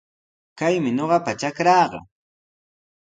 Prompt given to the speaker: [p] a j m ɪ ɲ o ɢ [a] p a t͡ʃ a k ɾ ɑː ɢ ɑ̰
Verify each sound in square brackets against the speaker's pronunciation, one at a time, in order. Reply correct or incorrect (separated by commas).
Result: incorrect, incorrect